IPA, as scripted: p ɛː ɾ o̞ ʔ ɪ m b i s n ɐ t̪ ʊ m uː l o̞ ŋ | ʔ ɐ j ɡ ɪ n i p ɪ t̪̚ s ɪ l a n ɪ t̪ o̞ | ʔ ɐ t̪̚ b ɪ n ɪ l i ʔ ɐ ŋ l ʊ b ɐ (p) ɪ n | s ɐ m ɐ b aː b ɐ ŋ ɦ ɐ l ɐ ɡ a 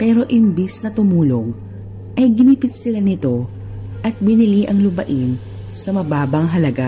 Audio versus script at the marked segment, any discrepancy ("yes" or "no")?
yes